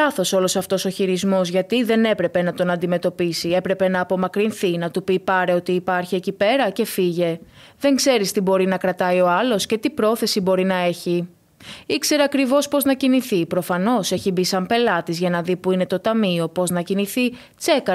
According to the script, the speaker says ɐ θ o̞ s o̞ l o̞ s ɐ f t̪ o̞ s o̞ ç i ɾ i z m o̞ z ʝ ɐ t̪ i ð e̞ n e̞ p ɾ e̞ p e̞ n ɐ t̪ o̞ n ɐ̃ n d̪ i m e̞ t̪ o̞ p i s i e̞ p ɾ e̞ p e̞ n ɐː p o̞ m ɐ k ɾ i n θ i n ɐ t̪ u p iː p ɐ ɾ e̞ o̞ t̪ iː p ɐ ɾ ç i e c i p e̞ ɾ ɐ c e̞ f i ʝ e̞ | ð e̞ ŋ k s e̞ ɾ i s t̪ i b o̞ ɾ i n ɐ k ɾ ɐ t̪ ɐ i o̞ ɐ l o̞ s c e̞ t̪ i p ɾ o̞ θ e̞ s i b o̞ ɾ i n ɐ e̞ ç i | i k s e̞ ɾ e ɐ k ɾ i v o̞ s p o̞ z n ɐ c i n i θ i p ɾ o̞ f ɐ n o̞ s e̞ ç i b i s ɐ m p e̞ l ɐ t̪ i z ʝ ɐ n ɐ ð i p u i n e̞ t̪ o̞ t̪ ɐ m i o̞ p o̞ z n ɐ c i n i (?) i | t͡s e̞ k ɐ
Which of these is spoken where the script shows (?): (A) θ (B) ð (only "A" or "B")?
A